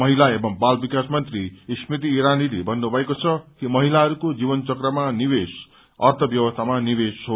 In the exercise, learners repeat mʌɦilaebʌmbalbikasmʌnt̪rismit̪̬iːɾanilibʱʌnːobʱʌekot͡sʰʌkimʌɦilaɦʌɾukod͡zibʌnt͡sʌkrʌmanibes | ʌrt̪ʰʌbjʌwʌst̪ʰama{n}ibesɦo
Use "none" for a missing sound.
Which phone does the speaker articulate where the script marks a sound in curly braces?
n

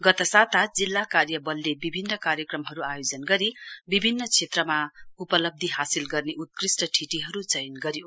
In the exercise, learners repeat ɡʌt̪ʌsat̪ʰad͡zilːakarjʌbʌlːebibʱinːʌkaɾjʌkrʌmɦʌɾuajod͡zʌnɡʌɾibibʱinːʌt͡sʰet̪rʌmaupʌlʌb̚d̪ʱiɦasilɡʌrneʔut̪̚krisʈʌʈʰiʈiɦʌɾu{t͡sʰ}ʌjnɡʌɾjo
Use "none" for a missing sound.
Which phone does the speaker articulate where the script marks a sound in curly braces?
t͡s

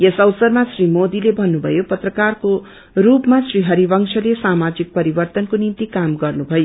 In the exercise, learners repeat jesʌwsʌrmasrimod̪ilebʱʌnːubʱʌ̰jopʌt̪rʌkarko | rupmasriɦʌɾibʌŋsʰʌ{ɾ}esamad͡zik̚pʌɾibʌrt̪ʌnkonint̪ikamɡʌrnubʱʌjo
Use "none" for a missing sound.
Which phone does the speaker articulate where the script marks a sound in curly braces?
l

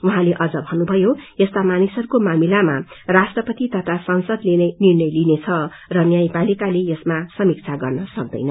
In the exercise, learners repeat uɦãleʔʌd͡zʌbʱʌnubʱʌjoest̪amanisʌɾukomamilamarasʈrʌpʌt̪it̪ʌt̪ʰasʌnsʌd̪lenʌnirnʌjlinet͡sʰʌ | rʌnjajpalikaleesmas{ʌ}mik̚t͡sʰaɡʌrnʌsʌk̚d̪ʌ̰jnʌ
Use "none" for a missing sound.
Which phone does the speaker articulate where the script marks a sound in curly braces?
ʌ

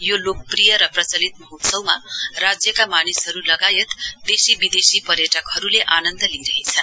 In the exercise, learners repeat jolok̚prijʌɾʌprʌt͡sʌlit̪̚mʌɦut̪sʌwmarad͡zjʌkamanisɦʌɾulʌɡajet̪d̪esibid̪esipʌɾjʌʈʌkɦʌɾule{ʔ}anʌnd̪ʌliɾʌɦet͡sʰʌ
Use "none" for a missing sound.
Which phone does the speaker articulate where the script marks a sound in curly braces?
ʔ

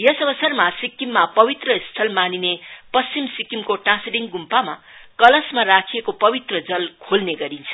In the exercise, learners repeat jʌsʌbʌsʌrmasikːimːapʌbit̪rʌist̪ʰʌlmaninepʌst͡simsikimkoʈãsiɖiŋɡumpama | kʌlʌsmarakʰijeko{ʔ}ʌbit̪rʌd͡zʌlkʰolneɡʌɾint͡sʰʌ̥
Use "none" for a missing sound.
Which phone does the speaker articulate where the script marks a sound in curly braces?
p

